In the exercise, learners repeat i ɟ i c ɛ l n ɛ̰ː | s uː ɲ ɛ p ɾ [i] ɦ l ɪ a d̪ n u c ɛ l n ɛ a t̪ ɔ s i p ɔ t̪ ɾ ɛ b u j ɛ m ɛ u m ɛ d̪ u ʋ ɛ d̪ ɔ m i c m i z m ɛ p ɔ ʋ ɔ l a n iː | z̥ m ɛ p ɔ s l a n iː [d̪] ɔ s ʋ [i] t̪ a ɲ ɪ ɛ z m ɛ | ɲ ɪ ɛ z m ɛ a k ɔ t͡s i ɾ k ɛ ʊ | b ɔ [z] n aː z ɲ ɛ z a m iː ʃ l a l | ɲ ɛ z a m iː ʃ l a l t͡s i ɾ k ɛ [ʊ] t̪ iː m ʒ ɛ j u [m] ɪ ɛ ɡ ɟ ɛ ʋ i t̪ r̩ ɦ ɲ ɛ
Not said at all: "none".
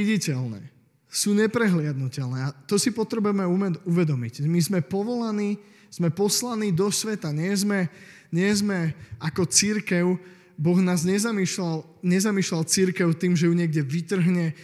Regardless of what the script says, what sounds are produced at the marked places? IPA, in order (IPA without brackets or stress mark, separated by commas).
ɛ, d̪, ɛ, ɣ, ʊ, ɲ